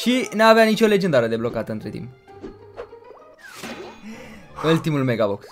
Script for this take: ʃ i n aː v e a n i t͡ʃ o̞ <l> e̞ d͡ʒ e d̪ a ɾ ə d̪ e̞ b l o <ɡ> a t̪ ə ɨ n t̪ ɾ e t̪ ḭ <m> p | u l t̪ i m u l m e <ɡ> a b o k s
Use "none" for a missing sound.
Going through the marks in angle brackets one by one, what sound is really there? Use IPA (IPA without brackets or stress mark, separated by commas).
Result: l, k, m, ɡ